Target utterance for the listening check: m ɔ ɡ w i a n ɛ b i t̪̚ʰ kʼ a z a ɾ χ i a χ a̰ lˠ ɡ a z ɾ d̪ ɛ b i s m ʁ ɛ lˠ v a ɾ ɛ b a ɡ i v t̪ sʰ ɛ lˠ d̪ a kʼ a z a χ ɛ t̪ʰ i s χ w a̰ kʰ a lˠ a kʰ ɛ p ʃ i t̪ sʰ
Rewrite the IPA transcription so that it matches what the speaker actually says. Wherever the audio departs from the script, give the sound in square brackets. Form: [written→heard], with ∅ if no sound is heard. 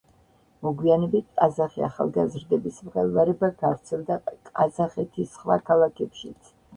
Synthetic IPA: m ɔ ɡ w i a n ɛ b i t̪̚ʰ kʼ a z a [ɾ→∅] χ i a χ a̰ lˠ ɡ a z ɾ d̪ ɛ b i s m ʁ ɛ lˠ v a ɾ ɛ b a ɡ [i→a] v t̪ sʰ ɛ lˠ d̪ a kʼ a z a χ ɛ t̪ʰ i s χ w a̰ kʰ a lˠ a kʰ ɛ p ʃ i t̪ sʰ